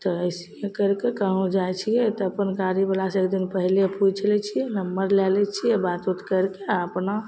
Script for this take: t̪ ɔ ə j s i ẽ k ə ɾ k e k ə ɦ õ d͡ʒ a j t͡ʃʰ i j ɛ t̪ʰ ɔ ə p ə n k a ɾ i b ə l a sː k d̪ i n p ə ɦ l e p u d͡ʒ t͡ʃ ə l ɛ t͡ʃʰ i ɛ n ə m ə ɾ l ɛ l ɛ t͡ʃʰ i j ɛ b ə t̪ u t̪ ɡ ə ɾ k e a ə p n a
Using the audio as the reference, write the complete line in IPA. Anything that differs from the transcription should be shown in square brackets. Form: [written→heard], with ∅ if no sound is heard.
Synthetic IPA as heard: t̪ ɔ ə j s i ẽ k ə ɾ k e k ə ɦ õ d͡ʒ a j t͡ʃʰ i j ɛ [t̪ʰ→t̪] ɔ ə p ə n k a ɾ i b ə l a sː k d̪ i n p ə ɦ l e p u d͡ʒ t͡ʃ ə l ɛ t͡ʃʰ i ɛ n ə m ə ɾ l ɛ l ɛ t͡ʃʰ i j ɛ b [ə→a] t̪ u t̪ [ɡ→k] ə ɾ k e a ə p n a